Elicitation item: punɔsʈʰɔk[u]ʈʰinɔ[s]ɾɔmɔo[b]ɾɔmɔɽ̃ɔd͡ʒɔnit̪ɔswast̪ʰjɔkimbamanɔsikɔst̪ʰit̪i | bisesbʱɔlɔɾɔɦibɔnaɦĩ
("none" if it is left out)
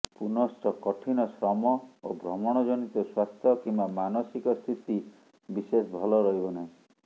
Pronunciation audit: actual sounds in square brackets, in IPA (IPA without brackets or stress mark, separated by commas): ɔ, s, b